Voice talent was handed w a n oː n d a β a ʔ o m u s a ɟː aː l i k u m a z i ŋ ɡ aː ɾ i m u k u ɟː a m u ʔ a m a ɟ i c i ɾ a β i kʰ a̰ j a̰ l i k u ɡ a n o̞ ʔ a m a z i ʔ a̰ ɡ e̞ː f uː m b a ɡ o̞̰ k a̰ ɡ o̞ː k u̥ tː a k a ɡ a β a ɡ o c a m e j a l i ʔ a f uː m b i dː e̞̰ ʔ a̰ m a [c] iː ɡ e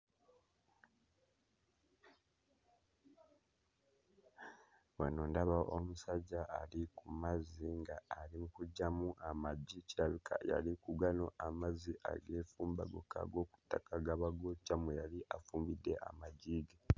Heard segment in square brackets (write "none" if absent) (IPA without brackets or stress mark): ɟ